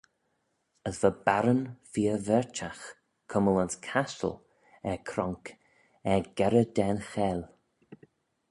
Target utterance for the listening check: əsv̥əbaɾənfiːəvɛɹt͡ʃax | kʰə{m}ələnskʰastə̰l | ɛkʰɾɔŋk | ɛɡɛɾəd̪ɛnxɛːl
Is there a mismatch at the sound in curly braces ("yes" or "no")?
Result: no